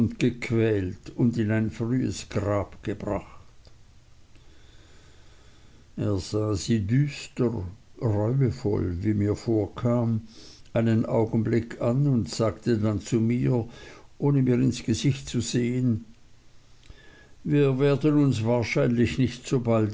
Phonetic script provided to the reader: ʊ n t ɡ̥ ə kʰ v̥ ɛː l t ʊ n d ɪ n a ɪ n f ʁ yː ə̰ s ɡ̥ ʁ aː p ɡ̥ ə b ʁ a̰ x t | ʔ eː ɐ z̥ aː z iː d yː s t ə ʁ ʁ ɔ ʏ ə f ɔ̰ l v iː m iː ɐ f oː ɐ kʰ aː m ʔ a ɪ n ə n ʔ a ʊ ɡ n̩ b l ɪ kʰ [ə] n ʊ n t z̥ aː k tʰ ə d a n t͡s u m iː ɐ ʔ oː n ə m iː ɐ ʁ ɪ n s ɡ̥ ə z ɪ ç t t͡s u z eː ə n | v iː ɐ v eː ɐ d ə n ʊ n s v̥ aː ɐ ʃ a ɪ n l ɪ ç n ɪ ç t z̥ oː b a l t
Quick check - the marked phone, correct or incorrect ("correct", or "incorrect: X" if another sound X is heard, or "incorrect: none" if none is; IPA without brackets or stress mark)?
incorrect: a